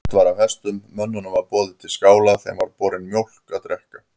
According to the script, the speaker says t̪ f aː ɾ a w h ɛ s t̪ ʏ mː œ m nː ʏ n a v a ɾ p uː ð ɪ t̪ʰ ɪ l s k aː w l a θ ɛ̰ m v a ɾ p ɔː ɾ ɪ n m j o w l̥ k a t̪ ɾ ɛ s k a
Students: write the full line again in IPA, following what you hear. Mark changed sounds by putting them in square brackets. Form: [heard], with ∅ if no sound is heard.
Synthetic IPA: t̪ [v] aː ɾ a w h ɛ s t̪ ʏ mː œ [∅] nː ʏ n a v a ɾ p [ɔː] ð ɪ t̪ʰ ɪ l s k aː w l a θ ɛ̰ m v a ɾ p ɔː ɾ ɪ n m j o w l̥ k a t̪ ɾ ɛ [h] k a